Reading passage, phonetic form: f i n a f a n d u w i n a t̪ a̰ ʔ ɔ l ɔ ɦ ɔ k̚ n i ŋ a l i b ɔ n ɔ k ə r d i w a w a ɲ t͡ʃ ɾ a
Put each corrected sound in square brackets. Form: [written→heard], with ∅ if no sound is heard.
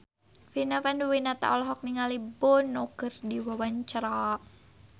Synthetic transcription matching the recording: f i n a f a n d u w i n a t̪ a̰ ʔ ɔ l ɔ ɦ ɔ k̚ n i ŋ a l i b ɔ n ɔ k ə r d i w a w a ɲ t͡ʃ ɾ a